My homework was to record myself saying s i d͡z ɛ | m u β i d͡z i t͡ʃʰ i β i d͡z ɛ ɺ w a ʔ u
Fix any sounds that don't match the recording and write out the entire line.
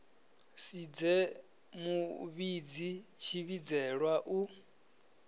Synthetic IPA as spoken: s i d͡z ɛ | m u β i d͡z i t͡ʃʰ i β i d͡z ɛ ɺ w a ʔ u